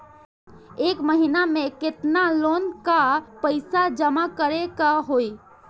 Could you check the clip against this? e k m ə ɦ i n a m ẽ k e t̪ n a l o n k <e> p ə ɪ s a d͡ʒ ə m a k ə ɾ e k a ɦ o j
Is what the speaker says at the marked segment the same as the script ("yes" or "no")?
no